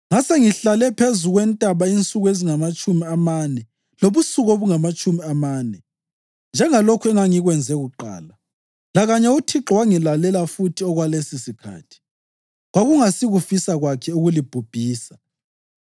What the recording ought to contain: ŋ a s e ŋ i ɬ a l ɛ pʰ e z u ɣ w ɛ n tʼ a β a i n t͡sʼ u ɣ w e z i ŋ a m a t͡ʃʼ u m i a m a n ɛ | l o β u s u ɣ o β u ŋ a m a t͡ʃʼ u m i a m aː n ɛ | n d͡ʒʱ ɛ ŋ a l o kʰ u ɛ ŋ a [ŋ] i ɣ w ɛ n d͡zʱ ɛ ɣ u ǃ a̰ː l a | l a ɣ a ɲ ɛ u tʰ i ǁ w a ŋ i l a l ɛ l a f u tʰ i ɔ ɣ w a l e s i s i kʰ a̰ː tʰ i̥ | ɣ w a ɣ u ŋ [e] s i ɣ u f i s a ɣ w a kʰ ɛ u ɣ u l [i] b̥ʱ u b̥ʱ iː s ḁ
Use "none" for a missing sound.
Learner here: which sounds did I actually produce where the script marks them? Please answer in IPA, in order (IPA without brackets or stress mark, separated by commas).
ŋ, a, i